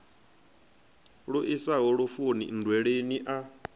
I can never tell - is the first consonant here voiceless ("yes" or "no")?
no